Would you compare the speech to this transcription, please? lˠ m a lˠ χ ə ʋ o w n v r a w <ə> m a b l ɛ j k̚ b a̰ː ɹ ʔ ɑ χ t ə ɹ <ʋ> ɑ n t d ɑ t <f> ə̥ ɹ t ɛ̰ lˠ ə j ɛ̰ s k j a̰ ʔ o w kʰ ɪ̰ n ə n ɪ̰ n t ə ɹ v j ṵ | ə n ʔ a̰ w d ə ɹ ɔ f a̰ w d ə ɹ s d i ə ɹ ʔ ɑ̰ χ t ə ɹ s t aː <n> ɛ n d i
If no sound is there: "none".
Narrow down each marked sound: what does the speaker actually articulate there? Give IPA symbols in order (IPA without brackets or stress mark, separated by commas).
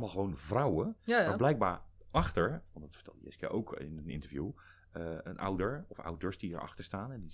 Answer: ə, ʋ, f, n